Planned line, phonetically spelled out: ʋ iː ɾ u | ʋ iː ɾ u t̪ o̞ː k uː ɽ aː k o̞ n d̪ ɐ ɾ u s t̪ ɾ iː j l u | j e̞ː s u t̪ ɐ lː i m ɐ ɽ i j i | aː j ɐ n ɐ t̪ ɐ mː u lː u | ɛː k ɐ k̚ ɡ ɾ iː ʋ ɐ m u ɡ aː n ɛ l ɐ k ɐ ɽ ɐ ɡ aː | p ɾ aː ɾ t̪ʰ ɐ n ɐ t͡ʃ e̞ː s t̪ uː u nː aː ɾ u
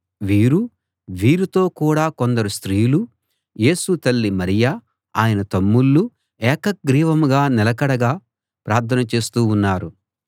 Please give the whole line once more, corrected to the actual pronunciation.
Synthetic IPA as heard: ʋ iː ɾ u | ʋ iː ɾ u t̪ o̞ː k uː ɽ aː k o̞ n d̪ ɐ ɾ u s t̪ ɾ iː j l u | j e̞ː s u t̪ ɐ lː i m ɐ ɾ i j a | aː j ɐ n ɐ t̪ ɐ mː u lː u | ɛː k ɐ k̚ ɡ ɾ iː ʋ ɐ m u ɡ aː n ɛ l ɐ k ɐ ɽ ɐ ɡ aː | p ɾ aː ɾ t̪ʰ ɐ n ɐ t͡ʃ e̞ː s t̪ uː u nː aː ɾ u

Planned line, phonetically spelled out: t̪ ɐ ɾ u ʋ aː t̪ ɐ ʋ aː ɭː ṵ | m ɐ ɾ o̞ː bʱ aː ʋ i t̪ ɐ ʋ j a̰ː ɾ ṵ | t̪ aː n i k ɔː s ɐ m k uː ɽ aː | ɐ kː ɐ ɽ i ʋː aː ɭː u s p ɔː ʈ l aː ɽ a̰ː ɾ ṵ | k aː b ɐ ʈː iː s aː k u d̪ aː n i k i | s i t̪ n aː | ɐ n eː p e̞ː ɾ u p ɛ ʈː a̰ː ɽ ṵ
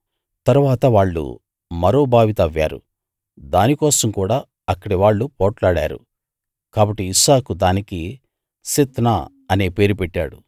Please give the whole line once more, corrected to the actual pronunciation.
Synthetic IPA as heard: t̪ ɐ ɾ u ʋ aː t̪ ɐ ʋ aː ɭː ṵ | m ɐ ɾ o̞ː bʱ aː ʋ i t̪ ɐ ʋ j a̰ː ɾ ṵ | d̪ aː n i k ɔː s ɐ m k uː ɽ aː | ɐ kː ɐ ɽ i ʋ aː ɭː u p ɔː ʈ l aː ɽ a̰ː ɾ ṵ | k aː b ɐ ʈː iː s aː k u d̪ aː n i k i | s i t̪ n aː | ɐ n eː p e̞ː ɾ u p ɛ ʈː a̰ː ɽ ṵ

